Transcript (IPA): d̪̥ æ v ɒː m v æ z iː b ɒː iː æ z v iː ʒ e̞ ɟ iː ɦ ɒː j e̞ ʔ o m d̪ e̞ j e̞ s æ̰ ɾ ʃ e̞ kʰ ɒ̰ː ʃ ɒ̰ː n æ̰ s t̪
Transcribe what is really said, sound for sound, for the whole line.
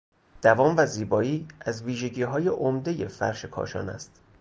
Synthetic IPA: d̪̥ æ v ɒː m v æ z iː b ɒː iː æ z v iː ʒ e̞ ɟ iː ɦ ɒː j e̞ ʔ o m d̪ e̞ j e̞ f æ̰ ɾ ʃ e̞ kʰ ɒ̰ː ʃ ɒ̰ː n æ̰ s t̪